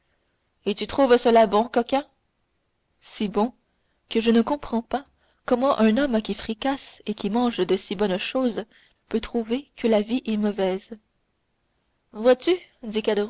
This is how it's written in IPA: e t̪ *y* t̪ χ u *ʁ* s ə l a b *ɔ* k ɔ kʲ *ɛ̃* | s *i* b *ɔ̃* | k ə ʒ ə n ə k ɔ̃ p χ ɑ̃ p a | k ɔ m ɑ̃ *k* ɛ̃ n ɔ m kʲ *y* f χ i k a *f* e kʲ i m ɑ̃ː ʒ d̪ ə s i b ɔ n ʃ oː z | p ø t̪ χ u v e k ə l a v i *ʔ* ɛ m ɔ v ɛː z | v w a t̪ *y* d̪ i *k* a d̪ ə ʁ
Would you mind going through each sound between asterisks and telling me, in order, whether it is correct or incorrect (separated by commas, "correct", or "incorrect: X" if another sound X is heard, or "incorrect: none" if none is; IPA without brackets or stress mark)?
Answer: correct, incorrect: v, incorrect: ɔ̃, correct, correct, correct, incorrect: ʔ, incorrect: i, incorrect: s, correct, correct, correct